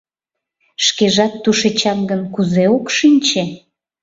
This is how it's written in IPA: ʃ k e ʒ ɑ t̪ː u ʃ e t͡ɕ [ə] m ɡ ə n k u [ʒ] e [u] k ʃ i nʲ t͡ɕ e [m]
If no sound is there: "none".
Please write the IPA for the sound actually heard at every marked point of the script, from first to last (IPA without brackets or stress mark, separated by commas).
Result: ɑ, z, o, none